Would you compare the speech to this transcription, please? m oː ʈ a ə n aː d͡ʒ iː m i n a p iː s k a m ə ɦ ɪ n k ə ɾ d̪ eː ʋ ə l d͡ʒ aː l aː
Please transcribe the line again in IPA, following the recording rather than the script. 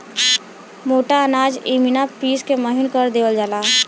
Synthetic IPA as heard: m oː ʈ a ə n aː d͡ʒ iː m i n a p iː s k e m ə ɦ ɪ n k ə ɾ d̪ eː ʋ ə l d͡ʒ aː l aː